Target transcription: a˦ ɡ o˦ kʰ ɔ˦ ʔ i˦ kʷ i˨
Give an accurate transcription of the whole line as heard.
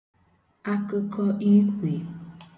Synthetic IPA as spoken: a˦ k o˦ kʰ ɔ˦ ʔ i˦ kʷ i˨